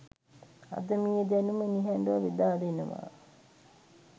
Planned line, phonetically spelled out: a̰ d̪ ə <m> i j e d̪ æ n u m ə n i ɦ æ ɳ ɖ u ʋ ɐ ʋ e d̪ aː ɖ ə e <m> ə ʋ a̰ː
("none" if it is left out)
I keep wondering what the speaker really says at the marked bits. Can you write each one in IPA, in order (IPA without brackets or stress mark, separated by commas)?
m, n